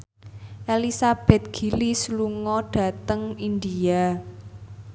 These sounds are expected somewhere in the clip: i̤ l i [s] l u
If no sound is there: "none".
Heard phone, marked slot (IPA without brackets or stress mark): s